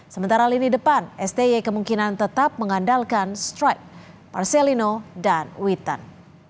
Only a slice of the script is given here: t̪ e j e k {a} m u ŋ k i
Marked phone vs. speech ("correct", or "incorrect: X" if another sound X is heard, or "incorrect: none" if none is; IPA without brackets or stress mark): incorrect: ə